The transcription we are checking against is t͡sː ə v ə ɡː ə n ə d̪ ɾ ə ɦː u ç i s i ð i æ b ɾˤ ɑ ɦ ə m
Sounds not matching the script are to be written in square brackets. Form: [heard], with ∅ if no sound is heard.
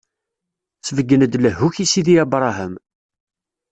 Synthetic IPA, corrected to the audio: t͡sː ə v ə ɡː ə n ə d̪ [l] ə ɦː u ç i s i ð i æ b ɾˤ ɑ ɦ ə m